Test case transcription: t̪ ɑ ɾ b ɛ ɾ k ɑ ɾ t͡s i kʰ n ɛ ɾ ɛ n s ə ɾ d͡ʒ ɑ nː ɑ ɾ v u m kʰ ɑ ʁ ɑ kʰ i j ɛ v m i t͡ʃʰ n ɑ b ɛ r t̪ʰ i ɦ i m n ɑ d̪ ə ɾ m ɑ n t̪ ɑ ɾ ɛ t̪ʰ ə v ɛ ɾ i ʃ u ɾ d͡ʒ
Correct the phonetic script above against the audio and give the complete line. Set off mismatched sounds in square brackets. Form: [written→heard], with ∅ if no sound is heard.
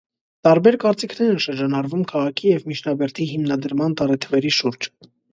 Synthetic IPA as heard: t̪ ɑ ɾ b ɛ ɾ k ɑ ɾ t͡s i kʰ n ɛ ɾ ɛ n [s→ʃ] ə ɾ d͡ʒ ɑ [nː→n] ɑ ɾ v u m kʰ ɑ ʁ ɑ kʰ i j ɛ v m i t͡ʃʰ n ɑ b ɛ [r→ɾ] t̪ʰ i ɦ i m n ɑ d̪ ə ɾ m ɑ n t̪ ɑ ɾ ɛ t̪ʰ ə v ɛ ɾ i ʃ u ɾ d͡ʒ